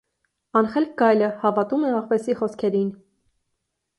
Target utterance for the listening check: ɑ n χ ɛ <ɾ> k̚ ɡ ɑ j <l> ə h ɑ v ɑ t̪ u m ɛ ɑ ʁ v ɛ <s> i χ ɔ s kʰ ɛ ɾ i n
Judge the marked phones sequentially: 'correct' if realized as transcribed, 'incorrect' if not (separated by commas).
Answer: incorrect, correct, correct